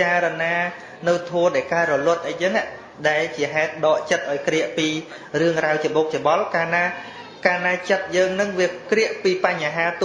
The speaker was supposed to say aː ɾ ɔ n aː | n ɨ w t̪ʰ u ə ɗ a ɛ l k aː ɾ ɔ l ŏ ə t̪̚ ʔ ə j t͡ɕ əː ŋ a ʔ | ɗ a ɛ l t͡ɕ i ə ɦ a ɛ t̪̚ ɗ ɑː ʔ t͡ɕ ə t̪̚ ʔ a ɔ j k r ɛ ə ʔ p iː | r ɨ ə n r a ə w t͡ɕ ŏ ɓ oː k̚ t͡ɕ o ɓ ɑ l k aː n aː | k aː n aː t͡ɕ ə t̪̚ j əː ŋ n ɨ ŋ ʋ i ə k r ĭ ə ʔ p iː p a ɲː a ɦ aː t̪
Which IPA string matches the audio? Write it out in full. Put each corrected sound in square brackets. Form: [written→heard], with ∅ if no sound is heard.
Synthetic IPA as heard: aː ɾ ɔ n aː | n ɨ w t̪ʰ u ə ɗ a ɛ l k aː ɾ ɔ l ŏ ə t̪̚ ʔ ə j t͡ɕ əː ŋ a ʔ | ɗ a ɛ l t͡ɕ i ə ɦ a ɛ t̪̚ ɗ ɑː ʔ t͡ɕ ə t̪̚ ʔ a ɔ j k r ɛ ə ʔ p iː | r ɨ ə [n→ŋ] r a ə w t͡ɕ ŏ ɓ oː k̚ t͡ɕ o ɓ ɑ l k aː n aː | k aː n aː t͡ɕ ə t̪̚ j əː ŋ n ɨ ŋ ʋ i ə k r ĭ ə ʔ p iː p a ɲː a ɦ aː t̪